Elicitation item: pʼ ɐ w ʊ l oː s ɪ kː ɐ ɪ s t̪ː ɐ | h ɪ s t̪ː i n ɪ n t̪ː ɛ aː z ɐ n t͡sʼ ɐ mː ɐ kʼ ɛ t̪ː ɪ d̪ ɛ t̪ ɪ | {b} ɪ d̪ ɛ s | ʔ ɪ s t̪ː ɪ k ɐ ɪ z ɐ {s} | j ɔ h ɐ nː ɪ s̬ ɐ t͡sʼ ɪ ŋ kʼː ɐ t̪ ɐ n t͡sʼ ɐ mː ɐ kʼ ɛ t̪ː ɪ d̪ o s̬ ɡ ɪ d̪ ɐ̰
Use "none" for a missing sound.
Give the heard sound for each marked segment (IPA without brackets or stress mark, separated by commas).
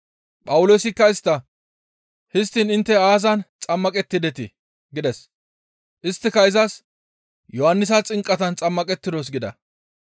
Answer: ɡ, s